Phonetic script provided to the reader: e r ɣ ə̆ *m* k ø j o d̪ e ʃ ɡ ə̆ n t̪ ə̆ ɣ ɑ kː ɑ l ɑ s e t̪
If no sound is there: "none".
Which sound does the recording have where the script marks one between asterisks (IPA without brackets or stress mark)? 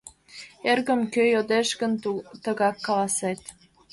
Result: m